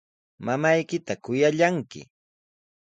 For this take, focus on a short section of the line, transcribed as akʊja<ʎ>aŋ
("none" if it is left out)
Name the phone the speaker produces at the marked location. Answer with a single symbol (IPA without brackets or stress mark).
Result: ʎ